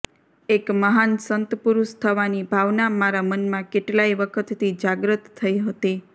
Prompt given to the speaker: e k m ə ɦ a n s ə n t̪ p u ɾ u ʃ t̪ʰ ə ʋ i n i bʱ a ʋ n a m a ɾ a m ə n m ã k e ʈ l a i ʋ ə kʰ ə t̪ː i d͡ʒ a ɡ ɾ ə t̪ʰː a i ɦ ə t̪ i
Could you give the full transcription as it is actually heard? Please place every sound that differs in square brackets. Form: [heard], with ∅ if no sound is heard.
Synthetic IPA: e k m ə ɦ a n s ə n t̪ p u ɾ u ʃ t̪ʰ ə ʋ [a] n i bʱ a ʋ n a m a ɾ a m ə n m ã k e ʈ l a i ʋ ə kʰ ə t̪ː i d͡ʒ a ɡ ɾ ə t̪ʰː [ə] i ɦ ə t̪ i